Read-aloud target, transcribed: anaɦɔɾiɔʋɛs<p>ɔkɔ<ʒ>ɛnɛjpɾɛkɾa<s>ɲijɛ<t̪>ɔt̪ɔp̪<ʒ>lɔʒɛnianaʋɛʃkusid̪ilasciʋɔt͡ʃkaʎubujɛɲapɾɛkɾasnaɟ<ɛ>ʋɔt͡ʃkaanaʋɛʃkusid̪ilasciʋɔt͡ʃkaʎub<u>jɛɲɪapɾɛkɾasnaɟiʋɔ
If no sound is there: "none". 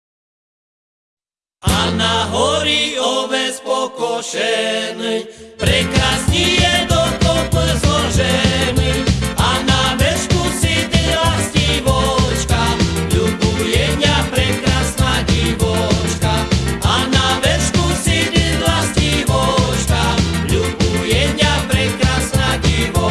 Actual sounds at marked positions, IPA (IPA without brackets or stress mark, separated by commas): p, ʃ, s, d̪, z, i, u